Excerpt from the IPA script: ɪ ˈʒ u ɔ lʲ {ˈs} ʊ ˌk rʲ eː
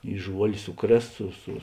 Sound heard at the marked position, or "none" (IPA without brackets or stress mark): s